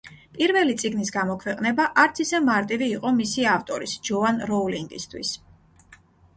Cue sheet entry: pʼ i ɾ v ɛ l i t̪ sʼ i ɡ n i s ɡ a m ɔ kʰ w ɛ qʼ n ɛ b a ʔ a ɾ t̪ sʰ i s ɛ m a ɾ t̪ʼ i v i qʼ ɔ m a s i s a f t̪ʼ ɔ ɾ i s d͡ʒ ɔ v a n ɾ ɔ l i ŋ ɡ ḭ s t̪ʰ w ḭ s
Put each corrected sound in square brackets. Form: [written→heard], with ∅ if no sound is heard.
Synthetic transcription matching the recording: pʼ i ɾ v ɛ l i t̪ sʼ i ɡ n i s ɡ a m ɔ kʰ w ɛ qʼ n ɛ b a ʔ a ɾ t̪ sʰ i s ɛ m a ɾ t̪ʼ i v [i→iː] qʼ ɔ m [a→i] s i [s→∅] a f t̪ʼ ɔ ɾ i s d͡ʒ ɔ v a n ɾ ɔ l i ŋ ɡ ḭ s t̪ʰ w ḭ s